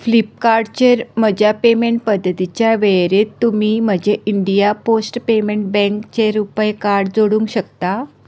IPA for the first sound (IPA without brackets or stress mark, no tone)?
f